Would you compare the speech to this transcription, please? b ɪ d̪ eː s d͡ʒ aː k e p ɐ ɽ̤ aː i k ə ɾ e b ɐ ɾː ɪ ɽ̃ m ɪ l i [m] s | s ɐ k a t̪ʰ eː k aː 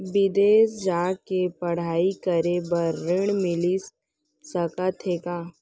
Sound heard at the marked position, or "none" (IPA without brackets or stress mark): none